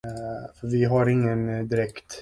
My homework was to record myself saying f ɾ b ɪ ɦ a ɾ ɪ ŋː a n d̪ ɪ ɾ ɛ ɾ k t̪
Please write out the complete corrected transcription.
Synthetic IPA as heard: f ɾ v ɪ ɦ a ɾ ɪ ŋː ə n d̪ ɪ ɾ ɛ k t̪